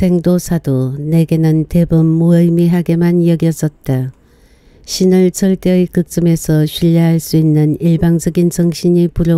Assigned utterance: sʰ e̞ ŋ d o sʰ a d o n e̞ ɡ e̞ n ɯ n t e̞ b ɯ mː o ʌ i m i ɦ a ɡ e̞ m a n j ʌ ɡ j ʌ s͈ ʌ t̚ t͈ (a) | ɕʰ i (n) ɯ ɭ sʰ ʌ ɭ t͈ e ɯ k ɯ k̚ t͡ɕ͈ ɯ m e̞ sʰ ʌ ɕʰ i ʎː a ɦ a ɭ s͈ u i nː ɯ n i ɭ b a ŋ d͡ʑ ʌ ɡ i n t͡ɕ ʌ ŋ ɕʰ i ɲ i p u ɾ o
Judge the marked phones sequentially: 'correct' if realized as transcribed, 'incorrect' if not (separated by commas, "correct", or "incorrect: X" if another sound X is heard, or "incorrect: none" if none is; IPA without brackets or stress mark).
correct, correct